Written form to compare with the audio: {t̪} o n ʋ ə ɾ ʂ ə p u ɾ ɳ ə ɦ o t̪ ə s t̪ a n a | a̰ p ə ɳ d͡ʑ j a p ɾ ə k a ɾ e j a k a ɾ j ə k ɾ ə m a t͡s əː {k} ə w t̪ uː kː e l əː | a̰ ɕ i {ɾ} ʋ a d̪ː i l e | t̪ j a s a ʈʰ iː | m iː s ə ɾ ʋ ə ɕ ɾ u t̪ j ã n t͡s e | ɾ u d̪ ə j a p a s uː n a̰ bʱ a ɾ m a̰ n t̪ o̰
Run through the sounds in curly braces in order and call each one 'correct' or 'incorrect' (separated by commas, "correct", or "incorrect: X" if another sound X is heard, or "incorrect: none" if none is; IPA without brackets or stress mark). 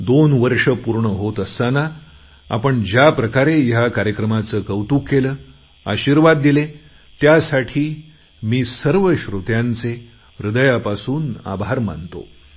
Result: incorrect: d̪, correct, correct